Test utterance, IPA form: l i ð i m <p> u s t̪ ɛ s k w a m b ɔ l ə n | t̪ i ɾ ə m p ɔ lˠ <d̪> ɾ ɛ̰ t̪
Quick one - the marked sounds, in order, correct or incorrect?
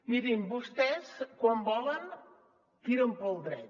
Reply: incorrect, correct

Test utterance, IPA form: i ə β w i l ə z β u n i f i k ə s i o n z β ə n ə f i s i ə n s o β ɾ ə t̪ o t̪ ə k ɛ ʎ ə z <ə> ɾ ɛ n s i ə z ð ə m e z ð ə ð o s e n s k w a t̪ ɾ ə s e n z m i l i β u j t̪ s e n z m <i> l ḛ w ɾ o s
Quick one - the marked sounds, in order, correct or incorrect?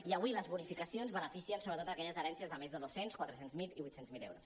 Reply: correct, correct

